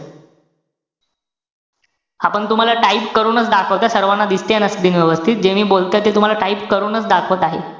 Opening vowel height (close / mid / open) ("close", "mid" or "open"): open